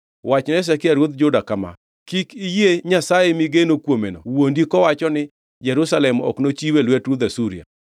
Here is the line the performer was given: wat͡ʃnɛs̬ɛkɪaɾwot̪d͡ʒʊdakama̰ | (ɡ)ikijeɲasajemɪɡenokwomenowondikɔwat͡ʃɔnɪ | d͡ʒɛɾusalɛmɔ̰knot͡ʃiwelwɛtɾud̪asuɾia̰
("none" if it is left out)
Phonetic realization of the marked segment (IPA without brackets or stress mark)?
k